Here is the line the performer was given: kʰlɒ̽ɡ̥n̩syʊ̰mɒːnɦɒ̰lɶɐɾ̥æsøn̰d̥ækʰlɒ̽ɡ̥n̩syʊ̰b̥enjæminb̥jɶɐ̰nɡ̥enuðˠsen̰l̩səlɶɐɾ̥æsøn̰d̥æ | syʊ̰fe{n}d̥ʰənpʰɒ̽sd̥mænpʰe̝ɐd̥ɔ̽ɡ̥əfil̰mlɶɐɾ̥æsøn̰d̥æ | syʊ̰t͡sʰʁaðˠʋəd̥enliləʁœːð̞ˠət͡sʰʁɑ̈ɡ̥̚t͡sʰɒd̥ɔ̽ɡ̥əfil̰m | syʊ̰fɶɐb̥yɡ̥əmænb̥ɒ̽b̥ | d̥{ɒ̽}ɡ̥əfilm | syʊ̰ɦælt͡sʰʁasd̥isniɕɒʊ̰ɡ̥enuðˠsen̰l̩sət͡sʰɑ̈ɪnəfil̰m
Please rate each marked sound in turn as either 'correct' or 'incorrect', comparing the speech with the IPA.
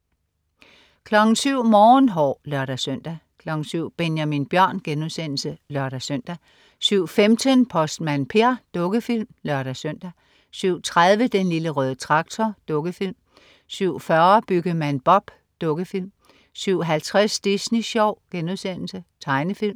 incorrect: m, incorrect: ɔ̽

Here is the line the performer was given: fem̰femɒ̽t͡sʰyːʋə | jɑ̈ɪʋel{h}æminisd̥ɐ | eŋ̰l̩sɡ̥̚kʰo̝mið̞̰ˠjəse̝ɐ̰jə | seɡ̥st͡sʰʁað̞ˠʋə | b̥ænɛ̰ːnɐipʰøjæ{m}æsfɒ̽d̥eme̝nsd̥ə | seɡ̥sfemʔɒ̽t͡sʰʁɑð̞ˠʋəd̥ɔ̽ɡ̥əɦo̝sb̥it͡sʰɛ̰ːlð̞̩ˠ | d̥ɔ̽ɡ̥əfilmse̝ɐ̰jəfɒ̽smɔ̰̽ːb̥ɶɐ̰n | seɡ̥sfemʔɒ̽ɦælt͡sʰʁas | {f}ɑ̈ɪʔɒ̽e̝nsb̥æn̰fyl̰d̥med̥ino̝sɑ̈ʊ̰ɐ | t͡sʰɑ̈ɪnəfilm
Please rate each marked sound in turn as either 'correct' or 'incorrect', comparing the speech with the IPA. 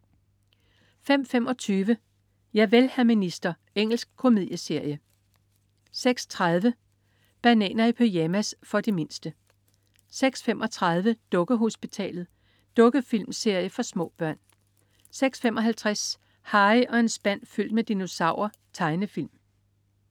correct, correct, incorrect: h

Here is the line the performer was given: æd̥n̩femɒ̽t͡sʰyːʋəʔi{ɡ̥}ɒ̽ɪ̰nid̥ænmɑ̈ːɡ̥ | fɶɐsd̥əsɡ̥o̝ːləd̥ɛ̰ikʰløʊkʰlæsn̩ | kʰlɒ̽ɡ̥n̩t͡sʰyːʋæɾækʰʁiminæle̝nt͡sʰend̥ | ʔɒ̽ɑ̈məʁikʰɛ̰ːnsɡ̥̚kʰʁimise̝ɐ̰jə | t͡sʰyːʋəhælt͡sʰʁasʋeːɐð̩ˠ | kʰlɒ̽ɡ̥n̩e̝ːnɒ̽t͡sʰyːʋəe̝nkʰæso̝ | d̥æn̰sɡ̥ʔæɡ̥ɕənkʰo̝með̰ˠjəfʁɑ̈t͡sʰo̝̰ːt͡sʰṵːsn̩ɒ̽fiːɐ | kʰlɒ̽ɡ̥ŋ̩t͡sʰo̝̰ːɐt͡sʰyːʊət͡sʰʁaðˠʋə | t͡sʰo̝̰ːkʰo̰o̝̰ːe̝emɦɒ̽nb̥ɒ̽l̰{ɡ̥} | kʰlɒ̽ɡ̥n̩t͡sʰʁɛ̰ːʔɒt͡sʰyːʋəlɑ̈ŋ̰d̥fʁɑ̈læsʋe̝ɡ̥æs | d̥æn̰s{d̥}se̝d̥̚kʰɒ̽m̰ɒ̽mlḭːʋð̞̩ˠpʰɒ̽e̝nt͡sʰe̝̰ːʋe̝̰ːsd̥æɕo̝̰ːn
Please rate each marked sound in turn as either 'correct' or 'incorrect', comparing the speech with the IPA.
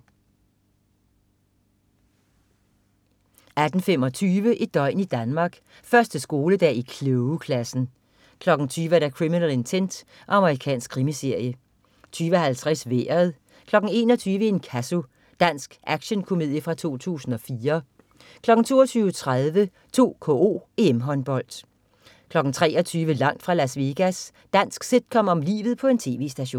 incorrect: d̥, incorrect: d̥, incorrect: ɡ̥

